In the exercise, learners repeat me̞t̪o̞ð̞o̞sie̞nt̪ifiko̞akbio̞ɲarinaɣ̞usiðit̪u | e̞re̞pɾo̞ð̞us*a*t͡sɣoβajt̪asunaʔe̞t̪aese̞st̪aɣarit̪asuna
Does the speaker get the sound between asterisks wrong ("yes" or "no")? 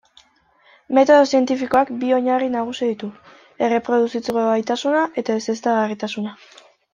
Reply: yes